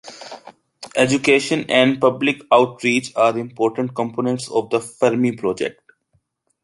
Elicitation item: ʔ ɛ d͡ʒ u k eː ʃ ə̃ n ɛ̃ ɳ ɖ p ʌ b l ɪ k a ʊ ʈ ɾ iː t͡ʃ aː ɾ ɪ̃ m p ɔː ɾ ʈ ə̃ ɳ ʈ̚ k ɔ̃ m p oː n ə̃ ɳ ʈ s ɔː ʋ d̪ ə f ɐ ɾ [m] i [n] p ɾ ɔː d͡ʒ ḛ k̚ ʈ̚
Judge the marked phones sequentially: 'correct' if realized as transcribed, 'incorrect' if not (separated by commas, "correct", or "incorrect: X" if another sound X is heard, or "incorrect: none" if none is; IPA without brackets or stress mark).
correct, incorrect: none